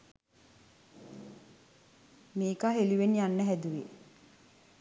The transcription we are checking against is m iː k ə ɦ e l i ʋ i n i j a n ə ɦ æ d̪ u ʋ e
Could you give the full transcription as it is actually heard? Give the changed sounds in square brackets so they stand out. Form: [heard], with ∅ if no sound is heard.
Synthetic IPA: m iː k [a] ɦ e l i ʋ [e] n i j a [nː] ə ɦ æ d̪ u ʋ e